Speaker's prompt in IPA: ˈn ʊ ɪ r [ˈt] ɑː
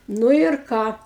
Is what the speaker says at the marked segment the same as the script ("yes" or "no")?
no